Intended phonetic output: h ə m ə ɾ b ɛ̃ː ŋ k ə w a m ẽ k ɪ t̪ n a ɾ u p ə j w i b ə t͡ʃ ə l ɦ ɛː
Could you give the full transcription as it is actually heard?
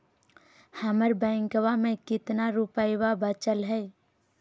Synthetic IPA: h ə m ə ɾ b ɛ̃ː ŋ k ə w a m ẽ k ɪ t̪ n a ɾ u p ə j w a b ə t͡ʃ ə l ɦ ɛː